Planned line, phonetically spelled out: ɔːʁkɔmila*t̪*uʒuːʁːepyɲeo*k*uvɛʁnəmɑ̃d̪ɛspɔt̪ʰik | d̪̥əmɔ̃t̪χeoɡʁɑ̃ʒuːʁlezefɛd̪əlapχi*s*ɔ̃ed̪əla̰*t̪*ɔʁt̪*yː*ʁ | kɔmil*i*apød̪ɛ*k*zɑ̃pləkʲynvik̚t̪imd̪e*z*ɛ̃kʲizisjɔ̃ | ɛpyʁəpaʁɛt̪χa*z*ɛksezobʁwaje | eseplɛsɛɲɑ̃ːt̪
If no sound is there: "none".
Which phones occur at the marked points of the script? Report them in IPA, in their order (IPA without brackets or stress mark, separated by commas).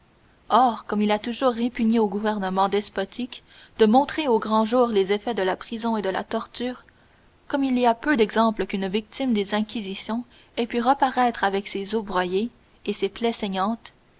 t̪, ɡ, z, t̪, yː, i, ɡ, z, v